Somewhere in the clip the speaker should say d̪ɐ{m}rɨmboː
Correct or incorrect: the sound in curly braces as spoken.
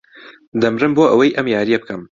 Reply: correct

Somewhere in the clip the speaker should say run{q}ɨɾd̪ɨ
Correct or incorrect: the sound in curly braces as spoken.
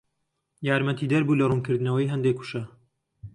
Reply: incorrect: k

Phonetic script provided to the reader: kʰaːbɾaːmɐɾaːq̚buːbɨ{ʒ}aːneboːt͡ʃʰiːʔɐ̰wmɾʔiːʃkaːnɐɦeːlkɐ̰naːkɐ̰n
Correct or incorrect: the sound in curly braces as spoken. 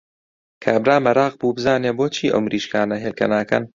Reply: incorrect: z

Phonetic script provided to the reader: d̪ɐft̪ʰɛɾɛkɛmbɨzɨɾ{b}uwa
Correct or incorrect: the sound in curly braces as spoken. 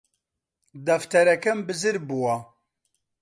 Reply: correct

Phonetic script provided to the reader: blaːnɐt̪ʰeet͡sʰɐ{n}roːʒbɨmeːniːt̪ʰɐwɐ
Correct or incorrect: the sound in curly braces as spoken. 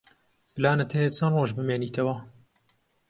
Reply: correct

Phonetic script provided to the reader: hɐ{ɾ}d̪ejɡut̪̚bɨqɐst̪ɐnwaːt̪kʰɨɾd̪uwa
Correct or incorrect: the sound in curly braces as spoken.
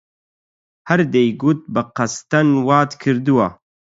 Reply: correct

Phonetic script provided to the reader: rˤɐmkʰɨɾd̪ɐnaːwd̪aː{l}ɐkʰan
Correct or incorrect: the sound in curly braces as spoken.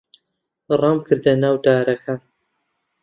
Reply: incorrect: ɾ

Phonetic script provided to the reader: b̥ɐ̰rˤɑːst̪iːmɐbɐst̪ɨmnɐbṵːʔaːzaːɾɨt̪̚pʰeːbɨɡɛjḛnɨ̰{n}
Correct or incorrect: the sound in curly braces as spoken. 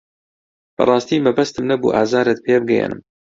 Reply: incorrect: m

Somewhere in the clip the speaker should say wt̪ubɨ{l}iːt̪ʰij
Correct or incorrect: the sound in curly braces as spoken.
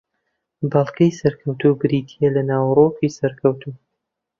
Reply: incorrect: ɾ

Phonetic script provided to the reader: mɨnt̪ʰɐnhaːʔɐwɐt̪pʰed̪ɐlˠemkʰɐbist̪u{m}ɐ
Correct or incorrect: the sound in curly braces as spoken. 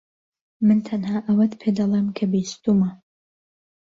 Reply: correct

